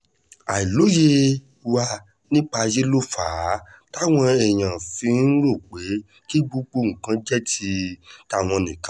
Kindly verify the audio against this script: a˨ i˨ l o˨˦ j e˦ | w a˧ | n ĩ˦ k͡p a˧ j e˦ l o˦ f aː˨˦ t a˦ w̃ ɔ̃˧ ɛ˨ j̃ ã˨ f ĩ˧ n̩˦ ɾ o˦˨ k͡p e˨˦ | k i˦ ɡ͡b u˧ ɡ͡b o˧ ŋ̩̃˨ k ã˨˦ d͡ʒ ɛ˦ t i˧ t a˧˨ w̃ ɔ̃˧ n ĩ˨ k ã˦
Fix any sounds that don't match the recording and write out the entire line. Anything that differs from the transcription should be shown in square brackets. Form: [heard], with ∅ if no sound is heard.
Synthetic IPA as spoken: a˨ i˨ l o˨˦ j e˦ | w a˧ | n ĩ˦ k͡p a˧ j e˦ l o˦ f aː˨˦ t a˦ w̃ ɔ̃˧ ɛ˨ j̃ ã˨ f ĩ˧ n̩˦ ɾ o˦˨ k͡p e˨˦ | k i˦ ɡ͡b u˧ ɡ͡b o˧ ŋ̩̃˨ k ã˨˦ d͡ʒ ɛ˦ t i˧ t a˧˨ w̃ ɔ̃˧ n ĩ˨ k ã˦